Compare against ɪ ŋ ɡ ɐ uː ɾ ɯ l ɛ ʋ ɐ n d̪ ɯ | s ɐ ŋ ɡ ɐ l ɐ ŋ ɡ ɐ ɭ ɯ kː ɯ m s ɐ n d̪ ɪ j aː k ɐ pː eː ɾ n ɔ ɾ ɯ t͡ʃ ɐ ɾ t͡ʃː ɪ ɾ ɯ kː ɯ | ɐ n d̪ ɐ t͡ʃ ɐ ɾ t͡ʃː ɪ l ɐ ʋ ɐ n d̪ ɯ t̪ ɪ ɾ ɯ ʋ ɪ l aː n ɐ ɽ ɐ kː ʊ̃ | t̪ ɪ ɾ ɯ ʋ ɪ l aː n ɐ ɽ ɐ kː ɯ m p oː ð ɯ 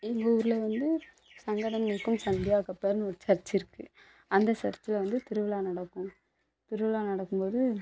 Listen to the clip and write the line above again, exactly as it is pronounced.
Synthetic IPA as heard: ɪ ŋ ɡ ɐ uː ɾ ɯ l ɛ ʋ ɐ n d̪ ɯ | s ɐ ŋ ɡ ɐ ɽ ɐ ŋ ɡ ɐ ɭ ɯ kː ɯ m s ɐ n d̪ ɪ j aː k ɐ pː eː ɾ n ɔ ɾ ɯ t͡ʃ ɐ ɾ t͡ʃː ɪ ɾ ɯ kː ɯ | ɐ n d̪ ɐ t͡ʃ ɐ ɾ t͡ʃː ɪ l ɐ ʋ ɐ n d̪ ɯ t̪ ɪ ɾ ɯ ʋ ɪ l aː n ɐ ɽ ɐ kː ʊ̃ | t̪ ɪ ɾ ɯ ʋ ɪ l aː n ɐ ɽ ɐ kː ɯ m p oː ð ɯ